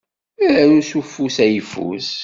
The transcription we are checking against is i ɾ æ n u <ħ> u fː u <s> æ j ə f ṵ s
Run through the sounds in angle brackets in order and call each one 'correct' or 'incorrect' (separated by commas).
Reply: incorrect, correct